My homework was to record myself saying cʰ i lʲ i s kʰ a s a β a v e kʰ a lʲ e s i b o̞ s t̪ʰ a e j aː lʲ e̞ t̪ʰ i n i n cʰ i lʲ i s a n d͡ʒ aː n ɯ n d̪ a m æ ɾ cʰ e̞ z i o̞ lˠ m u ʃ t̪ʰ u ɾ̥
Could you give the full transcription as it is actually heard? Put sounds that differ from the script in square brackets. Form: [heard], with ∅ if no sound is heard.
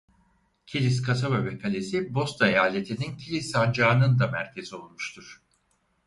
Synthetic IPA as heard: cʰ i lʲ i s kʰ a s a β a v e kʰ a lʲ e s i b o̞ s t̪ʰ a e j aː lʲ e̞ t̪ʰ i n i n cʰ i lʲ i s a n d͡ʒ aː n ɯ n d̪ a m æ ɾ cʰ e̞ z i o̞ lˠ m u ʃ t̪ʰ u ɾ̥